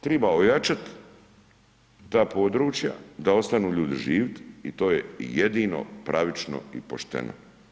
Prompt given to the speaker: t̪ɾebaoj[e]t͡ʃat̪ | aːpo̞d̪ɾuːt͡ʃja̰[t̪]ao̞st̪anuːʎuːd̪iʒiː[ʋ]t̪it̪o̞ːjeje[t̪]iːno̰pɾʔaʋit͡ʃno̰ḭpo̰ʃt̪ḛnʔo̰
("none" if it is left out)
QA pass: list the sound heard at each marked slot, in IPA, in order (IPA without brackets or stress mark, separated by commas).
a, d̪, ʋ, d̪